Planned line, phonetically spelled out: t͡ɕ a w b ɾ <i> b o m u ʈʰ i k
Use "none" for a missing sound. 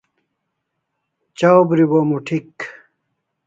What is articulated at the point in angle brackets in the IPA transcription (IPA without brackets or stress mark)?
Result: i